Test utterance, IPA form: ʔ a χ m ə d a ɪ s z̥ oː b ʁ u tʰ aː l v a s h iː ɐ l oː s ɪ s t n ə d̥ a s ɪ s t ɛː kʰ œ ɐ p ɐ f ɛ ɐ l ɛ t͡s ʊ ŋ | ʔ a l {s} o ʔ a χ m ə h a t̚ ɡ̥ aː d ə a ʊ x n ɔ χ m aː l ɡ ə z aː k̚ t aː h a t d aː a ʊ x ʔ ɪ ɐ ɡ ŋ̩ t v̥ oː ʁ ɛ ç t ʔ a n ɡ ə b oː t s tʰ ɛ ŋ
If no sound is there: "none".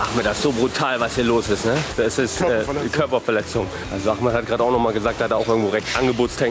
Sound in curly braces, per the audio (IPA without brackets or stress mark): z